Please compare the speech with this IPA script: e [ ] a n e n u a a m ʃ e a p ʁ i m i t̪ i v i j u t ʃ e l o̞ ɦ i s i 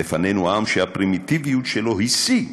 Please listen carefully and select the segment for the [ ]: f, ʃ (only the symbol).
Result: f